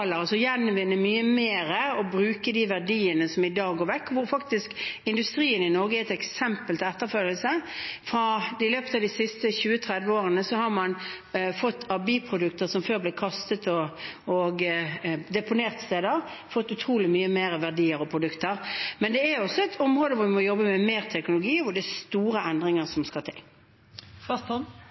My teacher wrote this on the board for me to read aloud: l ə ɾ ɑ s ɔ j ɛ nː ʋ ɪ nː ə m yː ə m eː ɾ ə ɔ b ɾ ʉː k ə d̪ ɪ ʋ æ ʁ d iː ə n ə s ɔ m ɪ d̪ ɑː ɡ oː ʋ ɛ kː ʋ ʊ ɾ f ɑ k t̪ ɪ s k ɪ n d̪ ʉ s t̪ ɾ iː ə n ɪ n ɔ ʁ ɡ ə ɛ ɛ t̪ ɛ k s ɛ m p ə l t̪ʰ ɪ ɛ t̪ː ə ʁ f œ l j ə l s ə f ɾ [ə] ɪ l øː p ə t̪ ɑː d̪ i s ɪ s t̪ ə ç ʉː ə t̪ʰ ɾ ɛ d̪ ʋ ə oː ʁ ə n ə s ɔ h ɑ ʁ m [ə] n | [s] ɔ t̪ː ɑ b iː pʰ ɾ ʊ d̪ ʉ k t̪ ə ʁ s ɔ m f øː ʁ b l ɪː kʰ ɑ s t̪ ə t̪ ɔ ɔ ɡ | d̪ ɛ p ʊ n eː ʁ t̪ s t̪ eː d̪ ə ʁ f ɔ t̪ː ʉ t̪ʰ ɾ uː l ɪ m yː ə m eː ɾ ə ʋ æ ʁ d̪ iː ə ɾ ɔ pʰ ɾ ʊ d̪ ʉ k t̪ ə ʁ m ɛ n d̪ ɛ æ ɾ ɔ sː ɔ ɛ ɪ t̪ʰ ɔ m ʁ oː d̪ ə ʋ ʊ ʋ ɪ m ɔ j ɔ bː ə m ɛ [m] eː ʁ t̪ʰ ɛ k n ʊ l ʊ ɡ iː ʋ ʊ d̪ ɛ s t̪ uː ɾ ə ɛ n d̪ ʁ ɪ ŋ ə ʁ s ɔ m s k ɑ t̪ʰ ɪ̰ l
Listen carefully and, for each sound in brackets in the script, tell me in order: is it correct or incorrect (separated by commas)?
incorrect, incorrect, incorrect, correct